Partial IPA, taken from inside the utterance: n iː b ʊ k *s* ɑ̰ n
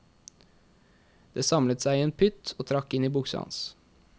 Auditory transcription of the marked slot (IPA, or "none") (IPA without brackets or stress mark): s